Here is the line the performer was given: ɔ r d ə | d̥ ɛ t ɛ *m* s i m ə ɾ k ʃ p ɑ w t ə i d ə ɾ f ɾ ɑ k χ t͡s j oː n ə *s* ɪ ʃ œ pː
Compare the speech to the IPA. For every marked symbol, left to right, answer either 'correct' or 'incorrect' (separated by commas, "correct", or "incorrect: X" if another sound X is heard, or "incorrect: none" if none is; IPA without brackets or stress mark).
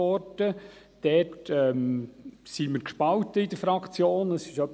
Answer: correct, correct